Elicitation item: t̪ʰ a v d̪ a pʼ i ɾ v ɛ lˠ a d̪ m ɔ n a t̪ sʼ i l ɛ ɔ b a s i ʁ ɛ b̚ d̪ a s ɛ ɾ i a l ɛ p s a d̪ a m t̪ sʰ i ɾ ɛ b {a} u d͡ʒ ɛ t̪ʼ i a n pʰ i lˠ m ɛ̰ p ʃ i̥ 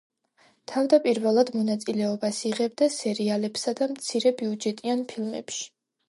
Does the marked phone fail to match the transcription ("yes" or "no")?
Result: yes